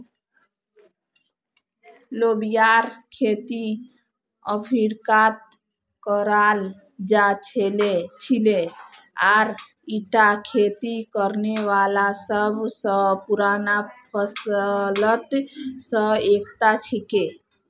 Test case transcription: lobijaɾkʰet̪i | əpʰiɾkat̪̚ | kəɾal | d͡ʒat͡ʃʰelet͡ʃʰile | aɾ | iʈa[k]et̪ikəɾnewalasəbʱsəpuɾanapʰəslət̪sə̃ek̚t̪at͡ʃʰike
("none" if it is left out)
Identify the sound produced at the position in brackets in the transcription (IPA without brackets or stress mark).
kʰ